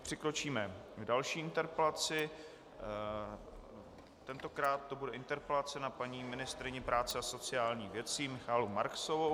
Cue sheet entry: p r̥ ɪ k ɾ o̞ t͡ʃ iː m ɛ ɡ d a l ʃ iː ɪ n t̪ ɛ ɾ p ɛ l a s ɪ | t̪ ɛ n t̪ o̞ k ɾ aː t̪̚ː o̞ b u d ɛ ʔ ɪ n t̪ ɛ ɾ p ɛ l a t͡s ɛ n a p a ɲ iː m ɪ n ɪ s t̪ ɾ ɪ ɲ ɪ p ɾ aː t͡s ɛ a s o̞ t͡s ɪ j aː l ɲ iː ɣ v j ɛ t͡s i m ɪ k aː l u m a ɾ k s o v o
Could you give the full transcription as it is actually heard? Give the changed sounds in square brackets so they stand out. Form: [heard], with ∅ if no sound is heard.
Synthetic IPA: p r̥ ɪ k ɾ o̞ t͡ʃ iː m ɛ ɡ d a l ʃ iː ɪ n t̪ ɛ ɾ p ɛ l a [t͡s] ɪ | t̪ ɛ n t̪ o̞ k ɾ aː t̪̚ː o̞ b u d ɛ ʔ ɪ n t̪ ɛ ɾ p ɛ l a t͡s ɛ n a p a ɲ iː m ɪ n ɪ s t̪ ɾ ɪ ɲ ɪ p ɾ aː t͡s ɛ a s o̞ t͡s ɪ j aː l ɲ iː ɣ v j ɛ t͡s i m ɪ [x] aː l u m a ɾ k s o v o